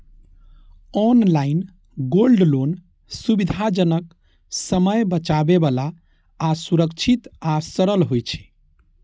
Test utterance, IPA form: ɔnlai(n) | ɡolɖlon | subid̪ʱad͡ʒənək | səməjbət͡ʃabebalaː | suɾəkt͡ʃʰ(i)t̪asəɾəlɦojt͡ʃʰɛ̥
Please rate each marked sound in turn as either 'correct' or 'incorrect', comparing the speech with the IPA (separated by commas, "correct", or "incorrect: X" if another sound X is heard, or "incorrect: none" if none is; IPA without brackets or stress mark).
correct, correct